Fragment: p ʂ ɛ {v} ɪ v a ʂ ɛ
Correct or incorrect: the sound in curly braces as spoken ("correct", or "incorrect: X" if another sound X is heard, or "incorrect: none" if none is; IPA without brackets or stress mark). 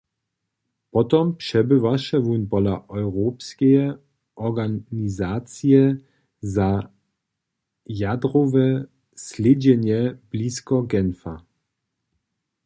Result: incorrect: b